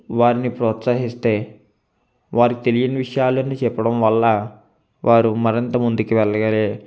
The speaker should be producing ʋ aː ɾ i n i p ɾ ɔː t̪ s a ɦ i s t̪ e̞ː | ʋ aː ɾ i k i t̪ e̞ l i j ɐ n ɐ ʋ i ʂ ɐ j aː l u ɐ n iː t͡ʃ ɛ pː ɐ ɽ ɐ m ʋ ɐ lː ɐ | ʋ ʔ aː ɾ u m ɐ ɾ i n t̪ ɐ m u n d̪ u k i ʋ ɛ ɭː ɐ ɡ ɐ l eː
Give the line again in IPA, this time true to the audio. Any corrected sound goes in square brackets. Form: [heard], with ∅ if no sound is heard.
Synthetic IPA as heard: ʋ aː ɾ i n i p ɾ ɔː t̪ s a ɦ i s t̪ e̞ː | ʋ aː ɾ i k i t̪ e̞ l i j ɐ n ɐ ʋ i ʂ ɐ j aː l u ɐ n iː t͡ʃ ɛ pː ɐ ɽ ɐ m ʋ ɐ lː ɐ | ʋ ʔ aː ɾ u m ɐ ɾ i n t̪ ɐ m u n d̪ u k i ʋ ɛ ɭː ɐ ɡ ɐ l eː